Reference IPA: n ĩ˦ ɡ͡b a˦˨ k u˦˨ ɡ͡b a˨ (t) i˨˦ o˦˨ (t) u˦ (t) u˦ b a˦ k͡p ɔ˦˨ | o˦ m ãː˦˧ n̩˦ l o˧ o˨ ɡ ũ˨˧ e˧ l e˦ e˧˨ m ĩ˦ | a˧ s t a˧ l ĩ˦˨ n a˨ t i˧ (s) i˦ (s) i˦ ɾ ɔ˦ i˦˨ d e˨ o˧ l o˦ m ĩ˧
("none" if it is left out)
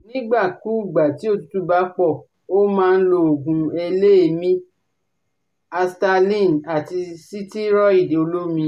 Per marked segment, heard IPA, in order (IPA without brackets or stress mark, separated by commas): t, t, t, s, t